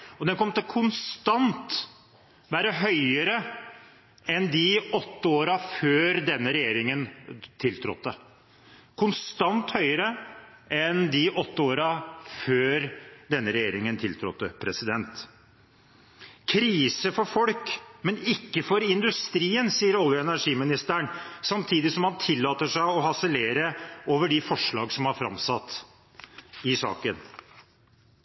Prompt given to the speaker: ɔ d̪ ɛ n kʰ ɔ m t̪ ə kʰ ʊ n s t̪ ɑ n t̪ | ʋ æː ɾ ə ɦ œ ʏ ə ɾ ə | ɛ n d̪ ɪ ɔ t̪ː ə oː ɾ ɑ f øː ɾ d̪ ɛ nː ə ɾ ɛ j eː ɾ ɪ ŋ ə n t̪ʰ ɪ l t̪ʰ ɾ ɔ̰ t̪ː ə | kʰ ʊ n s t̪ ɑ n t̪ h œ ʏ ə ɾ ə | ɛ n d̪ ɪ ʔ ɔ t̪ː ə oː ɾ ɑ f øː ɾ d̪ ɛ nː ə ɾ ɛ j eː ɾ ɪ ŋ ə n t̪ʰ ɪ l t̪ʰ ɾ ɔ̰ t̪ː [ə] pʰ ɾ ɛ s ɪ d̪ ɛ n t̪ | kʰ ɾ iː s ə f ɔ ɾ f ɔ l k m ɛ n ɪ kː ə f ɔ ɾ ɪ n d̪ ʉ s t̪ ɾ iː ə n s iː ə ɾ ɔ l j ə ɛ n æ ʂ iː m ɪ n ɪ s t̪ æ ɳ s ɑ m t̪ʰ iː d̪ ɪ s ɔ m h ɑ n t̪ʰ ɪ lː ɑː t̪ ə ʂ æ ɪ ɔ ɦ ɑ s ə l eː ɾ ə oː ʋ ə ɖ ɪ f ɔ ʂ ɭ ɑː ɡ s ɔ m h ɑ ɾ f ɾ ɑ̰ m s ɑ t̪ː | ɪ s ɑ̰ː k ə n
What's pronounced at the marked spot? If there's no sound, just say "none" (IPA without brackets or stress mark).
ə